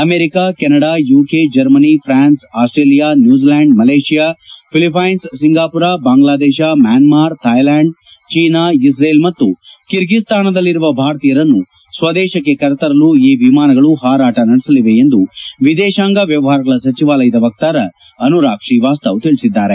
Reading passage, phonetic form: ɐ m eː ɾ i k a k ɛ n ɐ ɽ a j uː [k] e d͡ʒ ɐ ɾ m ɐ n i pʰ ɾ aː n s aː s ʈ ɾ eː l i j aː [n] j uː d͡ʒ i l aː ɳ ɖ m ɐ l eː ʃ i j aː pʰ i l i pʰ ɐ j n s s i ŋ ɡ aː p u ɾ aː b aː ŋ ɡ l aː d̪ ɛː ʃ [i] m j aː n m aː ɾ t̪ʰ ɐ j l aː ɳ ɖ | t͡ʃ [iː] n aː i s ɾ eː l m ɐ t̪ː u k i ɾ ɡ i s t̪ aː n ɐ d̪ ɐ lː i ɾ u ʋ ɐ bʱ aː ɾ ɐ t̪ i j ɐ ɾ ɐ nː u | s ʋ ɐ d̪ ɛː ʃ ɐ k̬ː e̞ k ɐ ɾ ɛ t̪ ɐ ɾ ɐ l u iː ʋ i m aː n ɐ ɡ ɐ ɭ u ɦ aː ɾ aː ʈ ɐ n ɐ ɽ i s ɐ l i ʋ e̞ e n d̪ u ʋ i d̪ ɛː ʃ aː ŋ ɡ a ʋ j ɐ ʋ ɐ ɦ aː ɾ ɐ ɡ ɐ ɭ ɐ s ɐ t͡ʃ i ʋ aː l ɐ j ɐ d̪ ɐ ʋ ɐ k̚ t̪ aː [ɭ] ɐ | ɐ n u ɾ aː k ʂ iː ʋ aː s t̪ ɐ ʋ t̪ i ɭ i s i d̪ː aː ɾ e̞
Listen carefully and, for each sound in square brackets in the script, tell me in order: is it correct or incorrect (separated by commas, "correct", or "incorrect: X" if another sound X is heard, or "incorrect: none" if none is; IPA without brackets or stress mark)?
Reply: correct, correct, incorrect: a, correct, incorrect: ɾ